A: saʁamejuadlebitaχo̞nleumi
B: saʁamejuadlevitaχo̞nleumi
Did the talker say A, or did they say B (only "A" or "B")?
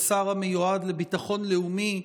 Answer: A